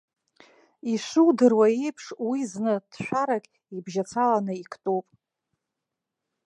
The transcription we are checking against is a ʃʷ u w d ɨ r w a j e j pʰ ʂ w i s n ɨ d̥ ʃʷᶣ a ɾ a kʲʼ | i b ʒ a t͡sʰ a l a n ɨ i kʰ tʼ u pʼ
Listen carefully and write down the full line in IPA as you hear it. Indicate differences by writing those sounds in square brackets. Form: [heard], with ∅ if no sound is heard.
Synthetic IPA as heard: [i] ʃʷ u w d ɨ r w a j e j pʰ ʂ w i [z] n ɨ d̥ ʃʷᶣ a ɾ a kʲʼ | i b ʒ a t͡sʰ a l a n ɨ i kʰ tʼ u pʼ